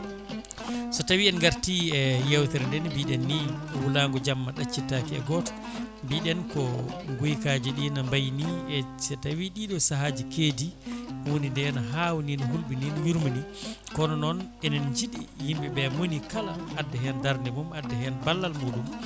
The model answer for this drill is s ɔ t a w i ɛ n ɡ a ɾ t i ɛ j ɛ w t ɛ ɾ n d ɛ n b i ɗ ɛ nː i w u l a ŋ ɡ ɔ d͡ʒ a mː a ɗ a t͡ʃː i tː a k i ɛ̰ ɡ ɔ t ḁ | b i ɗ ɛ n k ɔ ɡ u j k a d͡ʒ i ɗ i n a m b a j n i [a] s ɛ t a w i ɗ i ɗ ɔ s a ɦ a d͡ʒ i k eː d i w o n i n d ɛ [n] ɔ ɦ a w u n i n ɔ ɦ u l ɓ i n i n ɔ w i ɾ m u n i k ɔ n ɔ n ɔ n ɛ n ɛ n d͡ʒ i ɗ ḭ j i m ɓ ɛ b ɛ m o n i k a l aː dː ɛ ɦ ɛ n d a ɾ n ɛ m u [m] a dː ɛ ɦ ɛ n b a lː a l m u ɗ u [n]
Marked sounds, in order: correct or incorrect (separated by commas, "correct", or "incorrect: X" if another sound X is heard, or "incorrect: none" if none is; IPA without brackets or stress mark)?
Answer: incorrect: ɛ, correct, correct, incorrect: m